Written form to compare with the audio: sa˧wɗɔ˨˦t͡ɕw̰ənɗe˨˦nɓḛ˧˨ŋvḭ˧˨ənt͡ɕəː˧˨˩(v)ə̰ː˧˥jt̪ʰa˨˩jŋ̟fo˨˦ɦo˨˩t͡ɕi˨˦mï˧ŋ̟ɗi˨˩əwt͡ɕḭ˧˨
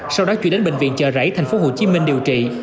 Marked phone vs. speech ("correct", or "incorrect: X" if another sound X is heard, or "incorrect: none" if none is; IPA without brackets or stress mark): incorrect: z